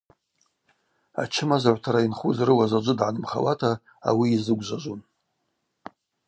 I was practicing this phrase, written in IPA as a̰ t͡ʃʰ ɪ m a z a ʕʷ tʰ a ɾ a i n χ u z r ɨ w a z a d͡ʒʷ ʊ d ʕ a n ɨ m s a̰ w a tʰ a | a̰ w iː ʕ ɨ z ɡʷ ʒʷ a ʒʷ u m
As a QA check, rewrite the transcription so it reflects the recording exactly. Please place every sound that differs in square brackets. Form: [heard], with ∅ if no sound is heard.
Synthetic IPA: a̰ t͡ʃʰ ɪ m a z a ʕʷ tʰ a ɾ a i n χ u z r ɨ w a z a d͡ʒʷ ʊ d ʕ a n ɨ m [χ] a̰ w a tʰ a | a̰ w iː [z] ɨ [∅] ɡʷ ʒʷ a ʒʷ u [n]

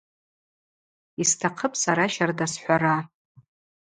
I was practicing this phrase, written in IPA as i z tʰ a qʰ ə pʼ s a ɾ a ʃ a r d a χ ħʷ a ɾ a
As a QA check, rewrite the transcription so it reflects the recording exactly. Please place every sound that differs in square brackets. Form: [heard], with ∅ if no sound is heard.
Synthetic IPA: i [s] tʰ a qʰ ə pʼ s a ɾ a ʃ a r d a [s] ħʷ a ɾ a

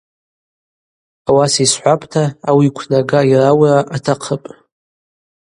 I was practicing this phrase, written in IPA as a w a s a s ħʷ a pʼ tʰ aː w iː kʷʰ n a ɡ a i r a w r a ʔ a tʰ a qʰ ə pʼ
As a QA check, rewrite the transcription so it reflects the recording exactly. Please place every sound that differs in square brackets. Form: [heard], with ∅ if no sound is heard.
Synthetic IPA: a w a s [i] s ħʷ a pʼ tʰ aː w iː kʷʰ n a ɡ a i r a w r a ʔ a tʰ a qʰ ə pʼ

